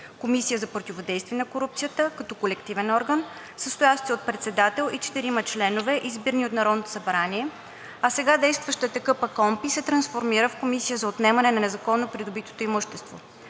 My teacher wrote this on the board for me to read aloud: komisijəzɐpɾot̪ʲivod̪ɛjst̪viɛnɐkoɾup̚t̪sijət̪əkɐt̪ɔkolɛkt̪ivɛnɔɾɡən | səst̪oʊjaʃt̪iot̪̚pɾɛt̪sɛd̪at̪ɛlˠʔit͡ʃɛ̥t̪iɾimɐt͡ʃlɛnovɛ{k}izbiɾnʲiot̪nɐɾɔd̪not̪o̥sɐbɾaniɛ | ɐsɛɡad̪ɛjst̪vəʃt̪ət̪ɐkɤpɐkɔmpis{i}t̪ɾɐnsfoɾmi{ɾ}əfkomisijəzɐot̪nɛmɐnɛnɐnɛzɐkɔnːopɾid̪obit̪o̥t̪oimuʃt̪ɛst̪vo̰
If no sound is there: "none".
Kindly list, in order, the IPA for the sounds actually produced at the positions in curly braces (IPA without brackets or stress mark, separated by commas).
ʔ, ɛ, ɾ